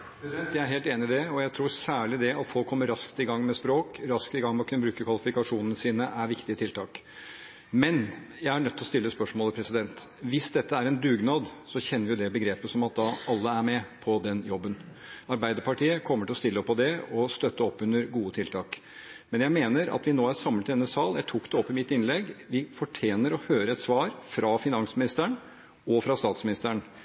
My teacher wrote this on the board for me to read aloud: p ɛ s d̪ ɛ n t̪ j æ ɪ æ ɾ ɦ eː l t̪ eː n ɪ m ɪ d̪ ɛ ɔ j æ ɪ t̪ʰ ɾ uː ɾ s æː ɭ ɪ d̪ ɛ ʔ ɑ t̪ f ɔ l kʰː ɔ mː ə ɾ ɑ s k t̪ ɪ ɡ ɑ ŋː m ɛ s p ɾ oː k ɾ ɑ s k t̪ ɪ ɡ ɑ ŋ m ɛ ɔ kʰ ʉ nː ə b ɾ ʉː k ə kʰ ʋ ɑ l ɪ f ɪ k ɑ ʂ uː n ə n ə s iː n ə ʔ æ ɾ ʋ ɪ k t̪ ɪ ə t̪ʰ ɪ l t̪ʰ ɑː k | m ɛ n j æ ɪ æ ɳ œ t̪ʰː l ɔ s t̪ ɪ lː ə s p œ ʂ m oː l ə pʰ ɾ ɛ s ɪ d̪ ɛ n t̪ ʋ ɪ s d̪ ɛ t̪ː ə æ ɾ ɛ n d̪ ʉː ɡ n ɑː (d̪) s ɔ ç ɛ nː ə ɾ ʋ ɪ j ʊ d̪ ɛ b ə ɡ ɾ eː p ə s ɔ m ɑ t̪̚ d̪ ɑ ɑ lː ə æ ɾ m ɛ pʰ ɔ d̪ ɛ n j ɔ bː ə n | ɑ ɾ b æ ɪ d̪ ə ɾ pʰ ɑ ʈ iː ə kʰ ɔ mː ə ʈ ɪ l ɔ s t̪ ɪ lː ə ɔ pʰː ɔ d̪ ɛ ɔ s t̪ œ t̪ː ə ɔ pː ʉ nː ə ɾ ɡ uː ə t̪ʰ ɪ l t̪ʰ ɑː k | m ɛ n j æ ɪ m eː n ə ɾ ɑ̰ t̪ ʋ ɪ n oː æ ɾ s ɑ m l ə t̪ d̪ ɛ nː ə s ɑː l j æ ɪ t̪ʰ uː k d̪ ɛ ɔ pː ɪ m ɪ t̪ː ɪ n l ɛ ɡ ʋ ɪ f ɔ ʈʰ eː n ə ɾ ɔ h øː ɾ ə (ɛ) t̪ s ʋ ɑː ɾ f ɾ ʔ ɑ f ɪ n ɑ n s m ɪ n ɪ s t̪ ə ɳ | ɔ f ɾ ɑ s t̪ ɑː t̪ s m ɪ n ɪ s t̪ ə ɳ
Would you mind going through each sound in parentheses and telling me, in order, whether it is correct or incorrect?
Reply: correct, correct

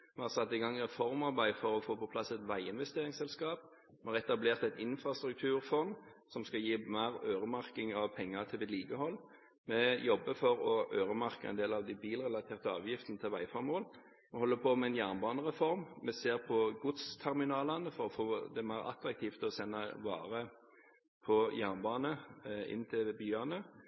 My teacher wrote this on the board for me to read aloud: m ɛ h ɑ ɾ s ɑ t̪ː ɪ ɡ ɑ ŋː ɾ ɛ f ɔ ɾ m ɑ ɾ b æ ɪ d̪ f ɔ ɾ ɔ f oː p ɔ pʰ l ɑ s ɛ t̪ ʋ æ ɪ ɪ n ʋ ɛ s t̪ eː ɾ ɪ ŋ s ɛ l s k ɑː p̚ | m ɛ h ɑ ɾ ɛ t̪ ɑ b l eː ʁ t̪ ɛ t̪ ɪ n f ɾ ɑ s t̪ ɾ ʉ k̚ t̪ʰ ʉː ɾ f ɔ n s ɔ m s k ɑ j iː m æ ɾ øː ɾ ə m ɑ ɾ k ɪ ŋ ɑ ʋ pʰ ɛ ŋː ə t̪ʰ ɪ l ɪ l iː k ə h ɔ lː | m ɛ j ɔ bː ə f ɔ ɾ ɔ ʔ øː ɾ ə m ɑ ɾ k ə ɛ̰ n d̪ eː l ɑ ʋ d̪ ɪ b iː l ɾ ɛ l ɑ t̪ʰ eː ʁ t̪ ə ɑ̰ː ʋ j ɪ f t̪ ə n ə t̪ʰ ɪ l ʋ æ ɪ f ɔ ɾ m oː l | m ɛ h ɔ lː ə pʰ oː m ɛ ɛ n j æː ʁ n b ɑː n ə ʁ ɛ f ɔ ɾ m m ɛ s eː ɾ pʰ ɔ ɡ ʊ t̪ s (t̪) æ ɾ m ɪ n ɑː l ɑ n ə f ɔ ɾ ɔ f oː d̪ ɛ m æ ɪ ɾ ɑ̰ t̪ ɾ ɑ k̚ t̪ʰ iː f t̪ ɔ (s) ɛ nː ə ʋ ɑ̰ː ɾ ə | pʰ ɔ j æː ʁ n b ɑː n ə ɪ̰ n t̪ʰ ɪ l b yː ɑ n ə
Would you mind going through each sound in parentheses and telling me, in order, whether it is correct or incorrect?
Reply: incorrect: t̪ʰ, correct

